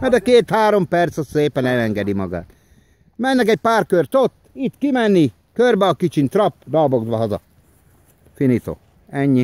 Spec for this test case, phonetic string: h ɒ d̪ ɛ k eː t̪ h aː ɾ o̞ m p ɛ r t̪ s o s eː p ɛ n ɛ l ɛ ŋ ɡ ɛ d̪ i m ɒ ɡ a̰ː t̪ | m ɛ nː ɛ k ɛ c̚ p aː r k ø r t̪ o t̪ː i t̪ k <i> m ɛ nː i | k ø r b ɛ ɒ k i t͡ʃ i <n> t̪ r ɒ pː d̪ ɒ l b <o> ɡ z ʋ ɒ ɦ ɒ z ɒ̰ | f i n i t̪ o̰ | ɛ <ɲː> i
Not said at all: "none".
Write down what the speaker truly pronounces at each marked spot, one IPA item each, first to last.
i, n, o, ɲː

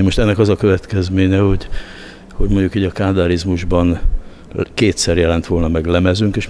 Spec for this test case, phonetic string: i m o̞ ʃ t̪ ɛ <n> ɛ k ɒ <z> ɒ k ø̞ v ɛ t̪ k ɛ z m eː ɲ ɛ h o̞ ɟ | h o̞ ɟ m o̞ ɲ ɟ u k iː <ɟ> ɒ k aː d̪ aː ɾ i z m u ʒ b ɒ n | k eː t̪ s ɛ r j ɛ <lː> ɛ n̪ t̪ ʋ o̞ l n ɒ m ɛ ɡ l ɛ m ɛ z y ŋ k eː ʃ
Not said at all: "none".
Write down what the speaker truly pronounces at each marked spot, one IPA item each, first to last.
nː, z, ɟ, l

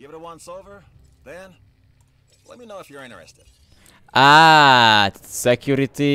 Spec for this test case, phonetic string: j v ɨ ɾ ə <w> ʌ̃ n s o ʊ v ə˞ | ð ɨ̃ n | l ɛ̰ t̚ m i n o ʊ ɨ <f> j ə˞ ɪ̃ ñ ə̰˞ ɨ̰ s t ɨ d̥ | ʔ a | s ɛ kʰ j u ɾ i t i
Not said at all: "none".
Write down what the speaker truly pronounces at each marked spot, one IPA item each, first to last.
w, f

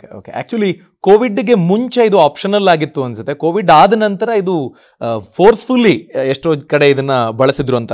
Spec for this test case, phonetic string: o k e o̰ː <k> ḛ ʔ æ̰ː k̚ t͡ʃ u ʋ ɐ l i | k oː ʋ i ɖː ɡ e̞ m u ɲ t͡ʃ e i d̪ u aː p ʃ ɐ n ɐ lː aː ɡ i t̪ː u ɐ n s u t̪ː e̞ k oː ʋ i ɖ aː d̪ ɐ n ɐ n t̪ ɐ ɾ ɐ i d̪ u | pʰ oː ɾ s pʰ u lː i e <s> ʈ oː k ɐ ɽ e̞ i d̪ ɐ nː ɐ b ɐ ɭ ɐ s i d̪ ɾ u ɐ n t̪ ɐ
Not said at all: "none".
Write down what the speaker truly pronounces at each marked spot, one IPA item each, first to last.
k, ʂ

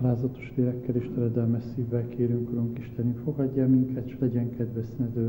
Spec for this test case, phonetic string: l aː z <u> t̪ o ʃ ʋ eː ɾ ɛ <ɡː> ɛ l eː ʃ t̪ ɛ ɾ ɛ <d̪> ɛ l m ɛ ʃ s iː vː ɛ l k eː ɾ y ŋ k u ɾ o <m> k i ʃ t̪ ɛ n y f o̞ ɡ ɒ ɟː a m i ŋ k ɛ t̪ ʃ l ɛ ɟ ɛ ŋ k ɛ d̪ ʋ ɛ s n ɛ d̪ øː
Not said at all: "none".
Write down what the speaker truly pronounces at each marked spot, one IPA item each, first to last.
ɒ, kː, d̪, ŋ

